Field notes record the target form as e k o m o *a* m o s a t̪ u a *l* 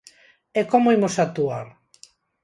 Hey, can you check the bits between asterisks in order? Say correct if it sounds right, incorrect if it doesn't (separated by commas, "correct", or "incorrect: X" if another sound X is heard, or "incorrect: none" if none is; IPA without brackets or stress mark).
incorrect: i, incorrect: ɾ